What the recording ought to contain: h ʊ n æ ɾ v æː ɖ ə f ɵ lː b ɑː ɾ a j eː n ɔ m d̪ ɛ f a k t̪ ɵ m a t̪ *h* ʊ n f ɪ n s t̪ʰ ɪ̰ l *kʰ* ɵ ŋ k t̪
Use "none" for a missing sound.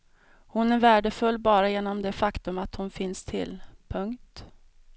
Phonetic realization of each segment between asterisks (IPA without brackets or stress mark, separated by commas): h, pʰ